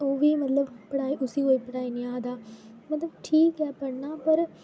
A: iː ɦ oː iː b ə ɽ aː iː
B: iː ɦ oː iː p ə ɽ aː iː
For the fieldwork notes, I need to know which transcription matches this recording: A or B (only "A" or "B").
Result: B